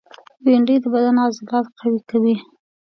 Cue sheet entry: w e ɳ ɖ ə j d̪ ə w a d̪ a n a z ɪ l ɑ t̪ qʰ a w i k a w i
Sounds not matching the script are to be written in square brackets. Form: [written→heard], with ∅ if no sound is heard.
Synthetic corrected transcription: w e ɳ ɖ ə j d̪ ə [w→b] a d̪ a n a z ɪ l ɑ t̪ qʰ a w i k a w i